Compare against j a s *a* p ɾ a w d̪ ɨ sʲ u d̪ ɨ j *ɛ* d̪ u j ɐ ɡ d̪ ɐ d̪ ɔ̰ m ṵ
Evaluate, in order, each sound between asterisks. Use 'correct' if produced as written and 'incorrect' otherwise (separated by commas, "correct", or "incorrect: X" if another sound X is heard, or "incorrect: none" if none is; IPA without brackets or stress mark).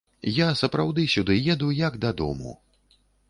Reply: incorrect: ɐ, correct